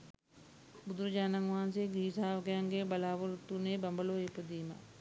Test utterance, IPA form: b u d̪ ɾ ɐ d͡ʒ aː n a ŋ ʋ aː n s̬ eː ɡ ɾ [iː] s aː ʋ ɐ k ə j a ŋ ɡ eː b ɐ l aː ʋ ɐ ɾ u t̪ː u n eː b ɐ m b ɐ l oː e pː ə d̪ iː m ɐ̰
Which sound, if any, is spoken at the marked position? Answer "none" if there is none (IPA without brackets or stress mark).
iː